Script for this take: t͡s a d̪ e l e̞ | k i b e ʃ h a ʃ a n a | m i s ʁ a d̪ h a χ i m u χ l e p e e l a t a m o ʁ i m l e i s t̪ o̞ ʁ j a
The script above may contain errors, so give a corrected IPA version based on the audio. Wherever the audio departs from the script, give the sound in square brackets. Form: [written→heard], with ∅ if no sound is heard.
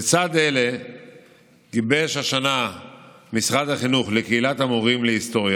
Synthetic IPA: t͡s a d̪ e l e̞ | [k→ɡ] i b e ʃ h a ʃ a n a | m i s ʁ a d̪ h a χ i [m→n] u χ l e [p→k] e [e→i] l a t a m o ʁ i m l e i s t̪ o̞ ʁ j a